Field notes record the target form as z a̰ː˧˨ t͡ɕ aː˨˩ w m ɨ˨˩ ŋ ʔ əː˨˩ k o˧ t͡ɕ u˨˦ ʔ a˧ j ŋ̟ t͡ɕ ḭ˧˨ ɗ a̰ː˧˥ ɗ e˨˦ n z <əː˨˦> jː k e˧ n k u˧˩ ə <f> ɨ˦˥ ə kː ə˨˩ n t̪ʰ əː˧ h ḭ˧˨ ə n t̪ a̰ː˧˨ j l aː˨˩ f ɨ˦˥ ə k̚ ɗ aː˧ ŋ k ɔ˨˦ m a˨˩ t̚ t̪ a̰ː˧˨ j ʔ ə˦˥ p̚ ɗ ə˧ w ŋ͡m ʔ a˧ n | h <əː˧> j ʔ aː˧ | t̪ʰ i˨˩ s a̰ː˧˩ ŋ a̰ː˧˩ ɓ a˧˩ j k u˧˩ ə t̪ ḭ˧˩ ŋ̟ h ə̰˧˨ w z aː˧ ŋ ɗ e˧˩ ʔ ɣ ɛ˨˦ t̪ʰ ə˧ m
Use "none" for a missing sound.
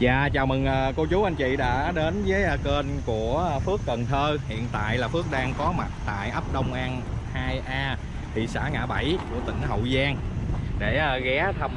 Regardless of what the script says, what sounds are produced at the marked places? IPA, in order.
əː˨˦, f, aː˧

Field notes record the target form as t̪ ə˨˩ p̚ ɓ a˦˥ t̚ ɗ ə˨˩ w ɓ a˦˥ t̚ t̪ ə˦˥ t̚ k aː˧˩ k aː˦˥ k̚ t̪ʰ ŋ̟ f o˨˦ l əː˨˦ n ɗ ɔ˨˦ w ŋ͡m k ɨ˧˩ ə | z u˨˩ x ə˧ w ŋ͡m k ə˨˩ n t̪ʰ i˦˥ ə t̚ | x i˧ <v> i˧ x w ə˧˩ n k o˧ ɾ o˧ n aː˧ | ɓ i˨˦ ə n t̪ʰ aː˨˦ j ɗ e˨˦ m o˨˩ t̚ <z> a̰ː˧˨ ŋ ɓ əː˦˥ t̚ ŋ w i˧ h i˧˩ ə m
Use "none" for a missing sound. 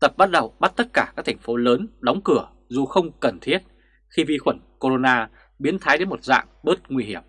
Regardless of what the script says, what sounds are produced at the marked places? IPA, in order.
v, z

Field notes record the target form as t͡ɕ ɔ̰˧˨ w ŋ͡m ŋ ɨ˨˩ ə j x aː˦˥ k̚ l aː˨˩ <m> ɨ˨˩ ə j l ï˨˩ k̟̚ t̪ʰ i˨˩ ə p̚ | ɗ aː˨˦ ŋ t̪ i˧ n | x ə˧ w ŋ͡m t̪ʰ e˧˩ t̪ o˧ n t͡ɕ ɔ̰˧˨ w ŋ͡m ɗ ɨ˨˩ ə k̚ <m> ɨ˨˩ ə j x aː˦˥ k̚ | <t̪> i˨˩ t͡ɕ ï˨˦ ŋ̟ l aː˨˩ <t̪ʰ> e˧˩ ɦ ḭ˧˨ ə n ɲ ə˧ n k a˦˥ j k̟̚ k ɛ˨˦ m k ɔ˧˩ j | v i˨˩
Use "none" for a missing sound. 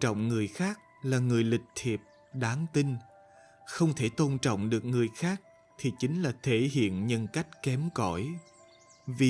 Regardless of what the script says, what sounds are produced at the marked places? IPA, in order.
ŋ, ŋ, t̪ʰ, t̪ʰ

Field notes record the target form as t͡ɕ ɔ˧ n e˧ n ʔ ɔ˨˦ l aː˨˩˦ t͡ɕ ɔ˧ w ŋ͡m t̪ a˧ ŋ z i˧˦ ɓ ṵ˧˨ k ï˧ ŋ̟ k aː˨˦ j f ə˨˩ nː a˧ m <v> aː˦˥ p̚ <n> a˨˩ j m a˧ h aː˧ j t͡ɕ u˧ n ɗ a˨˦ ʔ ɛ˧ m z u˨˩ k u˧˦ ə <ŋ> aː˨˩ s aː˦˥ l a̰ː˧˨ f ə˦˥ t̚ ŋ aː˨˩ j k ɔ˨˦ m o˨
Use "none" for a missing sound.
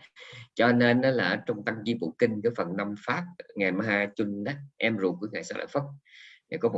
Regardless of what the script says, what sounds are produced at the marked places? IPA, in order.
f, ŋ, ŋ

